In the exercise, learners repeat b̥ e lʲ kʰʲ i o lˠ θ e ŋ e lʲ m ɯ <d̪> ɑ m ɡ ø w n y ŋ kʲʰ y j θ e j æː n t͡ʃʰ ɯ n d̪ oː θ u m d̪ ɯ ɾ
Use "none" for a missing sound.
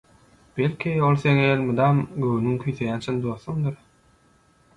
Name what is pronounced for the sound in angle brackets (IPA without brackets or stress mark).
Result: d̪